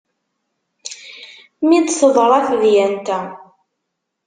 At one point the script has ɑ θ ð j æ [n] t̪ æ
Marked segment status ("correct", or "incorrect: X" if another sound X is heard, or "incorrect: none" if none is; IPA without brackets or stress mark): correct